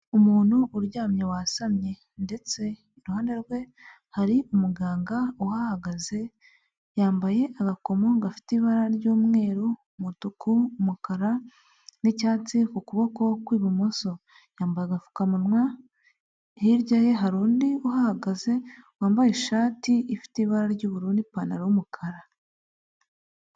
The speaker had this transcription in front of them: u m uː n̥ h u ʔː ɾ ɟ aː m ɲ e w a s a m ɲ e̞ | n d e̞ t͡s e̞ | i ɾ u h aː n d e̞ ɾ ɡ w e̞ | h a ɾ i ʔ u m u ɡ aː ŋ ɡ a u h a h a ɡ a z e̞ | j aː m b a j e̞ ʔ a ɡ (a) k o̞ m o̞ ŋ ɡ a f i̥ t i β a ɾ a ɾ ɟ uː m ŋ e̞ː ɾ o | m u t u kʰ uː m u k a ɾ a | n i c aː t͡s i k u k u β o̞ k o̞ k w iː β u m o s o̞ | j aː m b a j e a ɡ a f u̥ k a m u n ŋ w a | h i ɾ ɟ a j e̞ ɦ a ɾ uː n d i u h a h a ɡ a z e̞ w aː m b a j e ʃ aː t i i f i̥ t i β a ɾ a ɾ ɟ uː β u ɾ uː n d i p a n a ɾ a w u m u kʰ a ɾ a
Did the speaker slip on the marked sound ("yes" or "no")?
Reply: no